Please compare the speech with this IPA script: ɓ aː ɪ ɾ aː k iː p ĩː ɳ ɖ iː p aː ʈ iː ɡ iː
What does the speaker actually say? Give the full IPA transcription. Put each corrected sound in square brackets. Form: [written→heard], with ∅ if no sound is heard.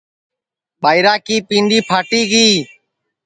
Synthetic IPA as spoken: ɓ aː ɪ ɾ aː k iː p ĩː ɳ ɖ iː [p→pʰ] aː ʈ iː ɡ iː